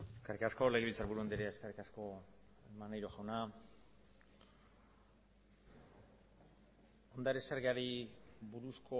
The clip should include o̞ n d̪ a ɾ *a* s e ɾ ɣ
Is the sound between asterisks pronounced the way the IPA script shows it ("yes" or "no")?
no